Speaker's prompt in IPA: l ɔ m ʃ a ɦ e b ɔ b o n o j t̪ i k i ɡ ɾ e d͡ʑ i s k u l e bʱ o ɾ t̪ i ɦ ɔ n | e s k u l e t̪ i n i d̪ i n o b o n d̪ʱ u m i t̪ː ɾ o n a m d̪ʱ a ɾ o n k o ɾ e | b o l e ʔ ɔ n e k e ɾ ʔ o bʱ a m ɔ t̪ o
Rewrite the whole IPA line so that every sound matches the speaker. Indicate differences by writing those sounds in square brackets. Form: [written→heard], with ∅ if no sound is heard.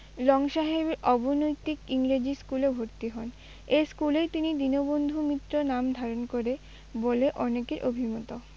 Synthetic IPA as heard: l ɔ [m→ŋ] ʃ a ɦ e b ɔ b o n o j t̪ i k i [ɡ→ŋ] ɾ e d͡ʑ i s k u l e bʱ o ɾ t̪ i ɦ ɔ n | e s k u l e t̪ i n i d̪ i n o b o n d̪ʱ u m i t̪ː ɾ o n a m d̪ʱ a ɾ o n k o ɾ e | b o l e ʔ ɔ n e k e ɾ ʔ o bʱ [a→i] m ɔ t̪ o